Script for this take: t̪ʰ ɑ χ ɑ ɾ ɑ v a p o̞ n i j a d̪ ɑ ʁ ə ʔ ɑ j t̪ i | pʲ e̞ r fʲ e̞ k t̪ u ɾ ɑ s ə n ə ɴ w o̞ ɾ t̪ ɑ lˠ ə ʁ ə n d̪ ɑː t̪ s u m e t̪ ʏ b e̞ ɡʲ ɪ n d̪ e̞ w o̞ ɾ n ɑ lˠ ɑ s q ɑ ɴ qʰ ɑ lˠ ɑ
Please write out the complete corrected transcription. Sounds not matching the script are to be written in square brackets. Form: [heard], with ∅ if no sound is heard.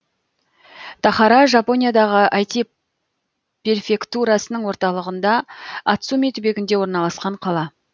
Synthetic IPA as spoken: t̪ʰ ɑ χ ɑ ɾ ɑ [ʒ] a p o̞ n i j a d̪ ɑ ʁ ə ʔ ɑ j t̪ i | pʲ e̞ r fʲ e̞ k t̪ u ɾ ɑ s ə n ə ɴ w o̞ ɾ t̪ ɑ lˠ ə ʁ ə n d̪ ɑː t̪ s u m e t̪ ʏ b e̞ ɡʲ ɪ n d̪ e̞ w o̞ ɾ n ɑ lˠ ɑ s q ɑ ɴ qʰ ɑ lˠ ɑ

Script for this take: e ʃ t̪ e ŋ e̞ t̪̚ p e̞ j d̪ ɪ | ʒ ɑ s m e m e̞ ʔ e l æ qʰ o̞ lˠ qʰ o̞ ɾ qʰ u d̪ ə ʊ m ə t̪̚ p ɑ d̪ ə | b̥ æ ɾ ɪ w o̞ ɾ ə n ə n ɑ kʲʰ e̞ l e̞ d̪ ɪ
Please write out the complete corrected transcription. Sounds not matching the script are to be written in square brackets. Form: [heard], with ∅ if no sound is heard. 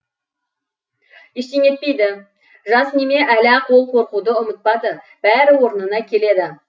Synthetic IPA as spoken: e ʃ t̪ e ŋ e̞ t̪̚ p e̞ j d̪ ɪ | ʒ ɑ s [n] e m e̞ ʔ [æ] l æ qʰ o̞ lˠ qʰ o̞ ɾ [q] u d̪ ə ʊ m ə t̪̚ p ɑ d̪ ə | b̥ æ ɾ ɪ w o̞ ɾ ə n ə n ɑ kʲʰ e̞ l e̞ d̪ ɪ

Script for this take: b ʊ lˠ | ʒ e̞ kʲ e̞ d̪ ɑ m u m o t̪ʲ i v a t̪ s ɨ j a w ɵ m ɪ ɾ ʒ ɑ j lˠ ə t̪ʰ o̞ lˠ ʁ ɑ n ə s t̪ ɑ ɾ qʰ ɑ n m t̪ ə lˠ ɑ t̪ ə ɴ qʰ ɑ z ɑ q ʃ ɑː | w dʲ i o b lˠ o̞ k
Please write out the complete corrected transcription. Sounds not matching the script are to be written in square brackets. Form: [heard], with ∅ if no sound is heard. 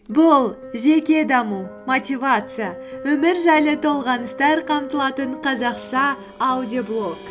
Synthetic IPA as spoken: b ʊ lˠ | ʒ e̞ kʲ e̞ d̪ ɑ m u m o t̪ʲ i v a t̪ s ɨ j a w ɵ m ɪ ɾ ʒ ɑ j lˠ ə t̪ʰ o̞ lˠ ʁ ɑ n ə s t̪ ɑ ɾ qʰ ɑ [∅] m t̪ ə lˠ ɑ t̪ ə ɴ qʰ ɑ z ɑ q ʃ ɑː | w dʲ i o b lˠ o̞ k

